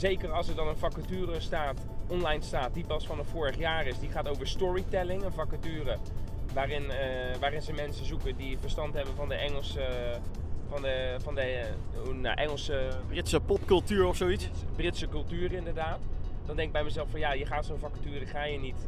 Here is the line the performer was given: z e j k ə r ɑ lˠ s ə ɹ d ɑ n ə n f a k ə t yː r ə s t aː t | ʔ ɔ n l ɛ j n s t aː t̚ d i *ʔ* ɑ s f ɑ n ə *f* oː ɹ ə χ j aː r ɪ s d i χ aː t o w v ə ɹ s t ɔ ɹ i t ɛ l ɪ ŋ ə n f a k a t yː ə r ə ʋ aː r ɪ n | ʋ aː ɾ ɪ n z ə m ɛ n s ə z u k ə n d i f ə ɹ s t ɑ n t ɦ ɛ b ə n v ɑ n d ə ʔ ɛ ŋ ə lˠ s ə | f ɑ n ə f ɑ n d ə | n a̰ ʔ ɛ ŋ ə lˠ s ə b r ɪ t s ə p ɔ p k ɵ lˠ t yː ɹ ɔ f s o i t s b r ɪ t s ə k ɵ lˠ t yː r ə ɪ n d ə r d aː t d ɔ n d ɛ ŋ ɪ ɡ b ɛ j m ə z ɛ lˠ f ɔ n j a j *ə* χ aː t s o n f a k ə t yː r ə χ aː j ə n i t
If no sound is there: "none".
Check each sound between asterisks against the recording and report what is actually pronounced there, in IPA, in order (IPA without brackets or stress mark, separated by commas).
p, f, ə